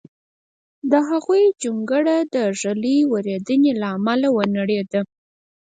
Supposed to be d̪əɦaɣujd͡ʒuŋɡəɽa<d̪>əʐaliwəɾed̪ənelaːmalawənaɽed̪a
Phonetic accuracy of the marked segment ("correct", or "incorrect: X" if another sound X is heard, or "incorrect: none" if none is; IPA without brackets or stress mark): correct